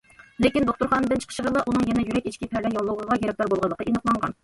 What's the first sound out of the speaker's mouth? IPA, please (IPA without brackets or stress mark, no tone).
l